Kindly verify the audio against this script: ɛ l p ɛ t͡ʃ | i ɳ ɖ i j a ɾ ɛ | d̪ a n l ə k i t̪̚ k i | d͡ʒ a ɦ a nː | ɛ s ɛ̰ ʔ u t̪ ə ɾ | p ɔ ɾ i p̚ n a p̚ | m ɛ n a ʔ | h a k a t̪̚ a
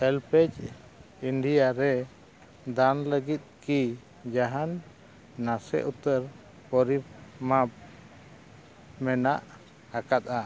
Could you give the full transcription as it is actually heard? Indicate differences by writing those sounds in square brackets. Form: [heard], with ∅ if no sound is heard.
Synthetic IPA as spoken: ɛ l p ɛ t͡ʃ | i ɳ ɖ i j a ɾ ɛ | d̪ a n l ə [ɡ] i t̪̚ k i | d͡ʒ a ɦ a nː | [a] s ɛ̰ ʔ u t̪ ə ɾ | p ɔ ɾ i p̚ [m] a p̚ | m ɛ n a ʔ | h a k a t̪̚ a